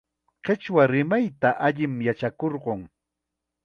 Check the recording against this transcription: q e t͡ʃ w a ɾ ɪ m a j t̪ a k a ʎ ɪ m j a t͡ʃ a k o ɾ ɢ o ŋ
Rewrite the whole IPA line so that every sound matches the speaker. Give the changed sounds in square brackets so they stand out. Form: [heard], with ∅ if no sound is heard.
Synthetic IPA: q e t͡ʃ w a ɾ ɪ m a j t̪ a [ʔ] a ʎ ɪ m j a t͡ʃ a k o ɾ ɢ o ŋ